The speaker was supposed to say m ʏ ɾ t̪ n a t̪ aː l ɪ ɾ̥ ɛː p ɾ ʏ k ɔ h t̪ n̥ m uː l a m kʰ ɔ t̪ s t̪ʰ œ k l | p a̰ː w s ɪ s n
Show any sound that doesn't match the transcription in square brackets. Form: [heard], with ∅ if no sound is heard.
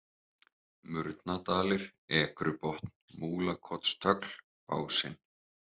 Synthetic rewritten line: m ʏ ɾ t̪ n a t̪ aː l ɪ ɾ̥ ɛː [k] ɾ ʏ [p] ɔ h t̪ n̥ m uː l a [∅] kʰ ɔ t̪ s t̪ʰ œ k l | p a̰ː w s ɪ [∅] n